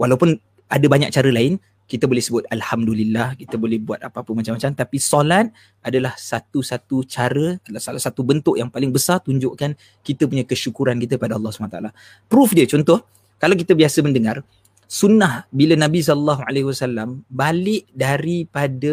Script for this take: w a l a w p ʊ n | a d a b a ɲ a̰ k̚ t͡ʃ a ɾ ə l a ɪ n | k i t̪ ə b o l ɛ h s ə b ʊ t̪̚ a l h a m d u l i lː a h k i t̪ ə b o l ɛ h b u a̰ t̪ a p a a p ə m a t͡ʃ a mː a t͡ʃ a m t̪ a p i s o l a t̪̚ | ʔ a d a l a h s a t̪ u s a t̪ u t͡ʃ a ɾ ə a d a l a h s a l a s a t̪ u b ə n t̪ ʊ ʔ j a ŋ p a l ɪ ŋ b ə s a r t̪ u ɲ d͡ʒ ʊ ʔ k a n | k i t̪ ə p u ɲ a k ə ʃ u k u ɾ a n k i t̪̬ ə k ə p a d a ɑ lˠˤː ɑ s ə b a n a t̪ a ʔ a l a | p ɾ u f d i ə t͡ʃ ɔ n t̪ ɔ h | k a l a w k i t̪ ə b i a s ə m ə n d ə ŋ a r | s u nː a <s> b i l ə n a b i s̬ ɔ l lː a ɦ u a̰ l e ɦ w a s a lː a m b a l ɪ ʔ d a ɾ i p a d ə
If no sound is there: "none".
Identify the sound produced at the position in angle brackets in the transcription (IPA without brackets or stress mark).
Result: h